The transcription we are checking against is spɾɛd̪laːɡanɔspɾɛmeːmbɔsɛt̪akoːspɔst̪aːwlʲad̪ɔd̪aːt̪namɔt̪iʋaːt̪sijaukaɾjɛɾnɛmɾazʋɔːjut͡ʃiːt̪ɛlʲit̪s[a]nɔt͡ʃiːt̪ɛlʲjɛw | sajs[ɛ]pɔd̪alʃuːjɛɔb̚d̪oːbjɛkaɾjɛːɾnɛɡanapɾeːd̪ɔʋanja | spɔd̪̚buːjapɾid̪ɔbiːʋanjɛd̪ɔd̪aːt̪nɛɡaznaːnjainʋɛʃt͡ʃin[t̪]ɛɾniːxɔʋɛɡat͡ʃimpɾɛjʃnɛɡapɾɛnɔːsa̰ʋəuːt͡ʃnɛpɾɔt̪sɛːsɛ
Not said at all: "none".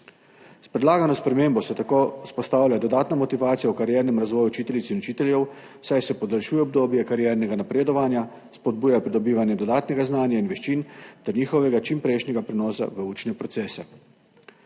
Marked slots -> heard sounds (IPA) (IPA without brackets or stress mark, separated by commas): i, ɛ, t̪